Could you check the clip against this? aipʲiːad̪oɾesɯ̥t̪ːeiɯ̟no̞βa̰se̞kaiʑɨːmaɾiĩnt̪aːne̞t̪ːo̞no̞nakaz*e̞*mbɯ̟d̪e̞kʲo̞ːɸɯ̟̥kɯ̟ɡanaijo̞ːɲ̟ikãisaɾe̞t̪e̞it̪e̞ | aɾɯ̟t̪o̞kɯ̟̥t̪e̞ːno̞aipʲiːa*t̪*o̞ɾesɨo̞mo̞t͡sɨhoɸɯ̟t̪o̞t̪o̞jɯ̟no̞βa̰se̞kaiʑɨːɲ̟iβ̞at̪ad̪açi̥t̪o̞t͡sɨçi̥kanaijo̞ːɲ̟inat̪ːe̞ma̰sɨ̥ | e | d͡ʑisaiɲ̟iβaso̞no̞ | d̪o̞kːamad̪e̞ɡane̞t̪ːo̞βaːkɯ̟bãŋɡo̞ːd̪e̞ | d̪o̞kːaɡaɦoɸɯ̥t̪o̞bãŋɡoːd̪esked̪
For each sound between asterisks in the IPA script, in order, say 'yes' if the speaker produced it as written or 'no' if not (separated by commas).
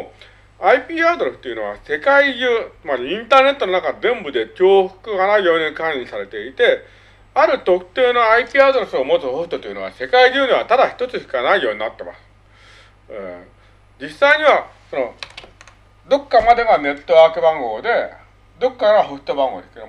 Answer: no, no